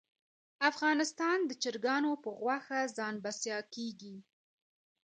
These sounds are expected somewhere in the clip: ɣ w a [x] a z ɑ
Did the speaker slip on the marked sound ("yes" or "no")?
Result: no